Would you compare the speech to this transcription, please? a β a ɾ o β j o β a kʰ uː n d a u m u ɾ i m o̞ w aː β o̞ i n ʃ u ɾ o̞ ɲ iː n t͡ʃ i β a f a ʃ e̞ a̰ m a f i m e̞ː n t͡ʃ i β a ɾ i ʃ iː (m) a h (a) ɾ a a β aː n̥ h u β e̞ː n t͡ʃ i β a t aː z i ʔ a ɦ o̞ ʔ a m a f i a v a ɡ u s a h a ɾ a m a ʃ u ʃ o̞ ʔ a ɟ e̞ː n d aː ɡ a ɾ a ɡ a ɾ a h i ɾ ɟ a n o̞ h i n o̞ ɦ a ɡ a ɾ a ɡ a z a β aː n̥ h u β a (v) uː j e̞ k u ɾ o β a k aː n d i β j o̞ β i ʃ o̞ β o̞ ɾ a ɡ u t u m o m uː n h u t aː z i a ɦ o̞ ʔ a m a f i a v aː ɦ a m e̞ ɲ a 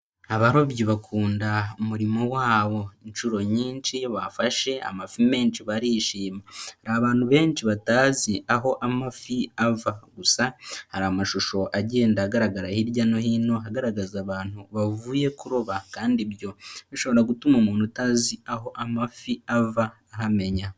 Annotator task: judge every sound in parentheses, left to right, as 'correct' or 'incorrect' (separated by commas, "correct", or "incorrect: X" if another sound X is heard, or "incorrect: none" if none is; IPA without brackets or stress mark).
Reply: correct, correct, correct